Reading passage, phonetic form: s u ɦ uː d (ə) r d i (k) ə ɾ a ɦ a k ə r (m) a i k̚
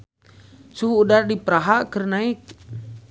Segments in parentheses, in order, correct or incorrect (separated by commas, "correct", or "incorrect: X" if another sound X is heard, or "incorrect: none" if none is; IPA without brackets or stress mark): incorrect: a, incorrect: p, incorrect: n